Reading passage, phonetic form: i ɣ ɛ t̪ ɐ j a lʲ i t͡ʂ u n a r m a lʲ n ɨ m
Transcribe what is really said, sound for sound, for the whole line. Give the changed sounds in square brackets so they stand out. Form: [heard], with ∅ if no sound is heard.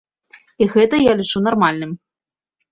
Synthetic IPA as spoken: i ɣ ɛ t̪ ɐ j a lʲ i t͡ʂ u n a r m a lʲ n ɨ m